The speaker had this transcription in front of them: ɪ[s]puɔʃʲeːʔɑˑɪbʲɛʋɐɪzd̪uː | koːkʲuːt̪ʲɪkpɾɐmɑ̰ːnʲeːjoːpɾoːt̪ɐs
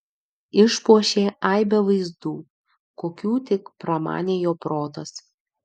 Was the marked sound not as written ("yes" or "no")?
yes